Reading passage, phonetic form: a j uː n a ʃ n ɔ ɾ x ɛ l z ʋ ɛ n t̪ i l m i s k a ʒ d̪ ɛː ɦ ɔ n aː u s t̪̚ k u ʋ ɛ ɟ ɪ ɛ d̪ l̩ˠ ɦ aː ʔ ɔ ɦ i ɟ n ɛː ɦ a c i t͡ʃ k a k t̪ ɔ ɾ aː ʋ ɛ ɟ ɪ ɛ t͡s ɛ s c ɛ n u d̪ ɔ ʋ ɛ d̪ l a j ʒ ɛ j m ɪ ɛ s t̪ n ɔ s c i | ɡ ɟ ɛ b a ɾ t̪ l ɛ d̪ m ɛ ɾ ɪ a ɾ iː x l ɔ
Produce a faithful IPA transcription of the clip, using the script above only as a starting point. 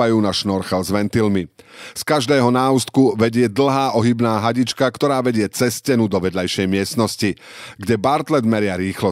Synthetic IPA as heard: a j uː n a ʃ n ɔ ɾ x ɛ l z ʋ ɛ n t̪ i l m i s k a ʒ d̪ ɛː ɦ ɔ n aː u s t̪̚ k u ʋ ɛ ɟ ɪ ɛ d̪ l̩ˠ ɦ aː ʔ ɔ ɦ i b n aː ɦ a ɟ i t͡ʃ k a k t̪ ɔ ɾ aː ʋ ɛ ɟ ɪ ɛ t͡s ɛ s c ɛ n u d̪ ɔ ʋ ɛ d̪ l a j ʃ ɛ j m ɪ ɛ s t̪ n ɔ s c i | ɡ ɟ ɛ b a ɾ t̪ l ɛ d̪ m ɛ ɾ ɪ a ɾ iː x l ɔ